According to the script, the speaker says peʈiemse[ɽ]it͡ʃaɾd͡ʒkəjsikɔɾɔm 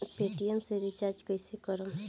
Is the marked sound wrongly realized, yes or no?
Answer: yes